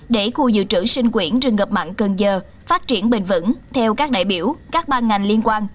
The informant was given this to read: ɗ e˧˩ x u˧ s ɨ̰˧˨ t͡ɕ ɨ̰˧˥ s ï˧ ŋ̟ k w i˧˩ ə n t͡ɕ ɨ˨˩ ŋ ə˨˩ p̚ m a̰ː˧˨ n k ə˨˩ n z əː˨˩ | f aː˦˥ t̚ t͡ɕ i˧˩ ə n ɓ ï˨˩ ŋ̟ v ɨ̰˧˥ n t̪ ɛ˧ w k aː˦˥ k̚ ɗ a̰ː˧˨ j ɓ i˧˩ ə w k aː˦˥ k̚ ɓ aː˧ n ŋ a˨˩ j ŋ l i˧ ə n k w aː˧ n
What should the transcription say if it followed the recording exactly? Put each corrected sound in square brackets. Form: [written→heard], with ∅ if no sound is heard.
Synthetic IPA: ɗ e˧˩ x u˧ [s→z] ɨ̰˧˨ t͡ɕ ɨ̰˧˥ s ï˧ ŋ̟ k w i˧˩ ə n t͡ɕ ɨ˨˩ ŋ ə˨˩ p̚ m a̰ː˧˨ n k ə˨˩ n z əː˨˩ | f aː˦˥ t̚ t͡ɕ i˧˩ ə n ɓ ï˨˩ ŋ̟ v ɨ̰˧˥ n [t̪→t̪ʰ] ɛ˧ w k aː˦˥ k̚ ɗ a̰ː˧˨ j ɓ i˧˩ ə w k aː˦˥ k̚ ɓ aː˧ n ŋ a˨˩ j ŋ l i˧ ə n k w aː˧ n

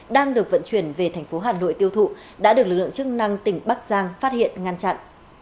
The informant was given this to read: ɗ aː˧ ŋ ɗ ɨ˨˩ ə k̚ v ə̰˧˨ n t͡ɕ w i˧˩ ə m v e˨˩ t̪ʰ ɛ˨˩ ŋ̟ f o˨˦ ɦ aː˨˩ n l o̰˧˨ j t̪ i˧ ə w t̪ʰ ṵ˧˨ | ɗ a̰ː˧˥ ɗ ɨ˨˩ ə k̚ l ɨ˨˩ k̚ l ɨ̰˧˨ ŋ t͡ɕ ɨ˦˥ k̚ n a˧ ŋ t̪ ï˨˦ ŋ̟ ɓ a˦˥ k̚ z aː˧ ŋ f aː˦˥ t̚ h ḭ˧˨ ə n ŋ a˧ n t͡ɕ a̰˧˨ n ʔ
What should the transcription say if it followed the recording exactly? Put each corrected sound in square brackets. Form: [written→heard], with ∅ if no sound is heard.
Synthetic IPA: ɗ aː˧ ŋ ɗ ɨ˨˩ ə k̚ v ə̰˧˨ n t͡ɕ w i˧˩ ə [m→n] v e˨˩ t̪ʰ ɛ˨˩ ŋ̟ f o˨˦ ɦ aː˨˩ n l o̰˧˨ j t̪ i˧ ə w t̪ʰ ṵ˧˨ | ɗ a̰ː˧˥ ɗ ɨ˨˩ ə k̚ l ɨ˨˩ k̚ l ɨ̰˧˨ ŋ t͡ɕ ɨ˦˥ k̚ n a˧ ŋ t̪ [ï˨˦→ï˨˩] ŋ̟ ɓ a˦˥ k̚ z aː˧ ŋ f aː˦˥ t̚ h ḭ˧˨ ə n ŋ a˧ n t͡ɕ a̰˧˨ n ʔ

